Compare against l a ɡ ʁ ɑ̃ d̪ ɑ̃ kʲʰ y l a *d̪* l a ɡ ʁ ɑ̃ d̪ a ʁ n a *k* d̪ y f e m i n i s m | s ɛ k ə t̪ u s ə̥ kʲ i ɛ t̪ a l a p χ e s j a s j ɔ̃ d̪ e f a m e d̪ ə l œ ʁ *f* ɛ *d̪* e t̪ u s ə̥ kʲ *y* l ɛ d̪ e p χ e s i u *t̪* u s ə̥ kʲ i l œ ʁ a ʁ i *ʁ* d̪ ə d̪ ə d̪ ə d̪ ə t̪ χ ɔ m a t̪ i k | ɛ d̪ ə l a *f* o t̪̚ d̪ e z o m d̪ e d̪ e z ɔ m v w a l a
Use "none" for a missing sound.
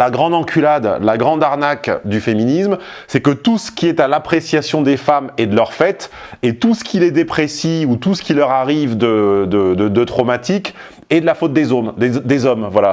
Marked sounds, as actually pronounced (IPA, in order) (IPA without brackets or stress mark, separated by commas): d̪, k, f, t̪, i, t̪, v, f